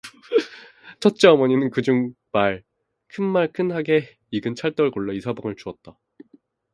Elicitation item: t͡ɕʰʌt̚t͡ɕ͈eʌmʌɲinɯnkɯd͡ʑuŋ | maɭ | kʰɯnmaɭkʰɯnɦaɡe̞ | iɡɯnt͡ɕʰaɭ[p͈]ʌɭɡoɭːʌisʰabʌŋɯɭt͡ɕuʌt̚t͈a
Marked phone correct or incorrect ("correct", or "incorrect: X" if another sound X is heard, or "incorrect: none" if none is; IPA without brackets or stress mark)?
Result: incorrect: t͈